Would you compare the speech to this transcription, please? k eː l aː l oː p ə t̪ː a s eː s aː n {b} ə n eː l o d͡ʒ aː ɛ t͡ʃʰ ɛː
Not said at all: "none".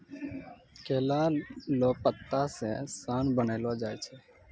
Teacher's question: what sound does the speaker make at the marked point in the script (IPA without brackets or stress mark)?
b